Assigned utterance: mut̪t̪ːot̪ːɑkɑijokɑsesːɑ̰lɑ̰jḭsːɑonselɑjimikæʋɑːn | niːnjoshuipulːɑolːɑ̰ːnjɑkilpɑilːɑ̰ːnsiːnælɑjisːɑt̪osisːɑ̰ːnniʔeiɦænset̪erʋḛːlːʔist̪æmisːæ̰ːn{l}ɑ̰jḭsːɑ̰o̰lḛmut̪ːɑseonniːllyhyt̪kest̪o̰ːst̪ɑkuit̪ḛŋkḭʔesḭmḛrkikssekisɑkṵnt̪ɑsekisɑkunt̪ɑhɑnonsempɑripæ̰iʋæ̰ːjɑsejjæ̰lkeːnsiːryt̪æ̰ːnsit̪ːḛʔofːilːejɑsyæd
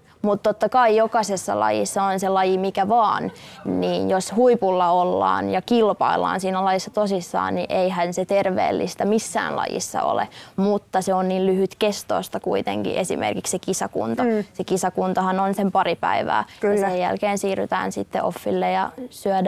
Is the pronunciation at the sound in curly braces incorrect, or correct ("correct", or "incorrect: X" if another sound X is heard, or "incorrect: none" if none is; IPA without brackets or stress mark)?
correct